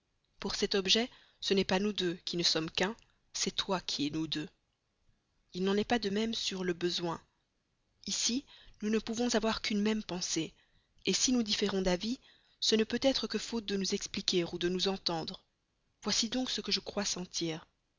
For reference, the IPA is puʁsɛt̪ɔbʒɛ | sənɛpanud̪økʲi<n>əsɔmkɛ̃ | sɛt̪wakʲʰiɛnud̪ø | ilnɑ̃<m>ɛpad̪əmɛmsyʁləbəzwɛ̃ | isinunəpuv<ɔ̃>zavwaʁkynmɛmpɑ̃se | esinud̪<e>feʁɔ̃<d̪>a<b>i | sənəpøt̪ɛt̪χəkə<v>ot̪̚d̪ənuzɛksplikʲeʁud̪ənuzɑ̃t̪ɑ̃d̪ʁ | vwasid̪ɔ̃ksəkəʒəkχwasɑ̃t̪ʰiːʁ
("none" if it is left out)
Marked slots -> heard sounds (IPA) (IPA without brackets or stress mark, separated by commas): n, n, ɔ̃, i, d̪, v, f